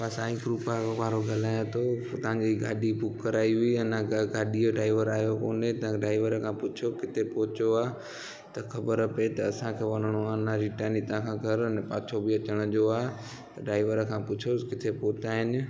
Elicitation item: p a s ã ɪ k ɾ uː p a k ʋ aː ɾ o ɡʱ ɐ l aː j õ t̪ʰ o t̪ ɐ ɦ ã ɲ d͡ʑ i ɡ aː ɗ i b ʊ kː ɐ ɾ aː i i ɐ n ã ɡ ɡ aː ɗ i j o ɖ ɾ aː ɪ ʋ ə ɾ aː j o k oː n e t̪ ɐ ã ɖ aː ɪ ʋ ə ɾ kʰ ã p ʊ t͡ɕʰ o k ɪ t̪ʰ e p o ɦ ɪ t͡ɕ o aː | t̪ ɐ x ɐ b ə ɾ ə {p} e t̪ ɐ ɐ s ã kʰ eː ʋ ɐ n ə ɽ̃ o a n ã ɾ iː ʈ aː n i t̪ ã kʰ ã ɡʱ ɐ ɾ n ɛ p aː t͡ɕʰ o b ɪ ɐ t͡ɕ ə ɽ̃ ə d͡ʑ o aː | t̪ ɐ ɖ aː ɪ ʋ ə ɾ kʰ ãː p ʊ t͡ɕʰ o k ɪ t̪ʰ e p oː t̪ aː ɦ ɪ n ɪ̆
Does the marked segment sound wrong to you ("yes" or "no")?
no